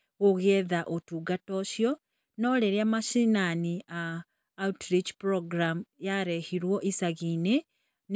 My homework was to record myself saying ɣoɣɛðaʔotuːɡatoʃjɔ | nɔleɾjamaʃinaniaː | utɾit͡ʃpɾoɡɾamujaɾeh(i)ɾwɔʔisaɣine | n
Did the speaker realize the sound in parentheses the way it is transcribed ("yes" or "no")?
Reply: yes